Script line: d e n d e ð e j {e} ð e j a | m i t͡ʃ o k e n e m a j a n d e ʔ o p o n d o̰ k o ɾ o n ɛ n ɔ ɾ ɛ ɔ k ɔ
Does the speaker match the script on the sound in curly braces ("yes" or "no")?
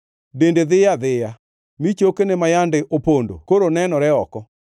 no